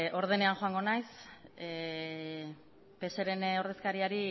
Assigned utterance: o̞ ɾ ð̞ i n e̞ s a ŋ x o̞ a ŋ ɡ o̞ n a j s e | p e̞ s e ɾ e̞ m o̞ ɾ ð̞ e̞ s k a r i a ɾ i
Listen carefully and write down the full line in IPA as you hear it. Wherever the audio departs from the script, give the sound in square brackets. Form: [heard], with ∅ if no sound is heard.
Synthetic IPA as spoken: o̞ ɾ ð̞ [e] n e̞ [∅] a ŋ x o̞ a ŋ ɡ o̞ n a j s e | p e̞ s e ɾ e̞ [n] o̞ ɾ ð̞ e̞ s k a [ɾ] i a ɾ i